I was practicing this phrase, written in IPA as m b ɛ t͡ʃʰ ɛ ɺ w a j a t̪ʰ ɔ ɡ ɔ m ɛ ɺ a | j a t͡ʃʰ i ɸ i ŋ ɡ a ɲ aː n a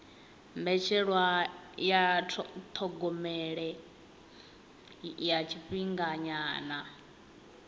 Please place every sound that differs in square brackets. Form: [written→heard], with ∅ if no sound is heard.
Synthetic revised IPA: m b ɛ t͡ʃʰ ɛ ɺ w a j a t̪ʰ ɔ ɡ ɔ m ɛ ɺ [a→ɛ] | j a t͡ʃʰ i ɸ i ŋ ɡ a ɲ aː n a